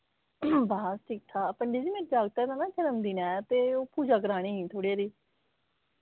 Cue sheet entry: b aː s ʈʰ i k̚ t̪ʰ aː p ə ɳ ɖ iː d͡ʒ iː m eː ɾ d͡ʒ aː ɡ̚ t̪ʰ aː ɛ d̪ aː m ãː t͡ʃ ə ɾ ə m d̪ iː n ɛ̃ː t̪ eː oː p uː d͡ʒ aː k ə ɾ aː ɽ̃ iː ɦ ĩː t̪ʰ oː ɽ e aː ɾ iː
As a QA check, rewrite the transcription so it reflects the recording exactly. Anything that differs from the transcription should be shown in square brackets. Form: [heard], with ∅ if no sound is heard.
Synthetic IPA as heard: b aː s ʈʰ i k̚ t̪ʰ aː p ə ɳ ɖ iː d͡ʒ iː m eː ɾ d͡ʒ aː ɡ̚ [t̪] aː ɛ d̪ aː [n] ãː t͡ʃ ə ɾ ə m d̪ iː n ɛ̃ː t̪ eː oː p uː d͡ʒ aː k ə ɾ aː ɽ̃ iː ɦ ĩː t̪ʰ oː ɽ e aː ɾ iː